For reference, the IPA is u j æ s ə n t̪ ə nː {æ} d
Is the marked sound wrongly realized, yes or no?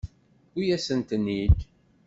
yes